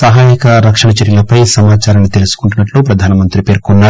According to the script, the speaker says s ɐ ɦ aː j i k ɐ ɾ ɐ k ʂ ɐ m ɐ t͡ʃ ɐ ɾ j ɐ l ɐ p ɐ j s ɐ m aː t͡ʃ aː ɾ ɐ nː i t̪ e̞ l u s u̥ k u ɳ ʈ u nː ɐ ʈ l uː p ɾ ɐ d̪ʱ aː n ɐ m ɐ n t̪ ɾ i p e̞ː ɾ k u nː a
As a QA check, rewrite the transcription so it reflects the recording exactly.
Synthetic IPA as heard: s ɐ ɦ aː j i k ɐ ɾ ɐ k ʂ ɐ ɳ ɐ t͡ʃ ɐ ɾ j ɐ l ɐ p ɐ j s ɐ m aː t͡ʃ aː ɾ ɐ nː i t̪ e̞ l u s u̥ k u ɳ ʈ u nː ɐ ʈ l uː p ɾ ɐ d̪ʱ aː n ɐ m ɐ n t̪ ɾ i p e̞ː ɾ k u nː a